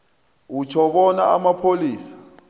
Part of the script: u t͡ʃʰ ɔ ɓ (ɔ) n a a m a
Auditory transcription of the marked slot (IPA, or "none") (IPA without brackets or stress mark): ɔ